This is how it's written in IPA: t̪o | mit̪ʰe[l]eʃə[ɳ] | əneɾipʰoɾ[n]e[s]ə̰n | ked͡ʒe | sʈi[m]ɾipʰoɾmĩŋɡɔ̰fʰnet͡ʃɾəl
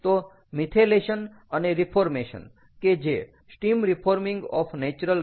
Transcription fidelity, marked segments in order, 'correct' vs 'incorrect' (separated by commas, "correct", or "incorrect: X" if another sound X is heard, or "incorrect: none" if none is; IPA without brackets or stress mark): correct, incorrect: n, incorrect: m, incorrect: ʃ, correct